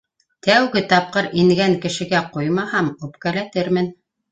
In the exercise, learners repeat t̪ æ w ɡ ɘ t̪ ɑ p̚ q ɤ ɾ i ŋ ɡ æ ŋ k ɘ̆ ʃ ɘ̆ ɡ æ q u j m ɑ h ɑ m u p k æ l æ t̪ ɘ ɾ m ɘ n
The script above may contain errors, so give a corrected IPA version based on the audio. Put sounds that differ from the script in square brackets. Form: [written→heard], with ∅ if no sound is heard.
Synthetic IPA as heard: t̪ æ w ɡ ɘ t̪ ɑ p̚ q ɤ ɾ i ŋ ɡ æ ŋ k ɘ̆ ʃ ɘ̆ ɡ æ q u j m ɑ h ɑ m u p k æ l æ t̪ ɘ ɾ m ɘ n